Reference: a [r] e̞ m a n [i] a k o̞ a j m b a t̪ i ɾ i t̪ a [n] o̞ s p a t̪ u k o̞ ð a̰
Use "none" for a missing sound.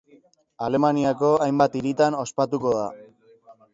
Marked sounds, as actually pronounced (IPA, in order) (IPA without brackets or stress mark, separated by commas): l, i, n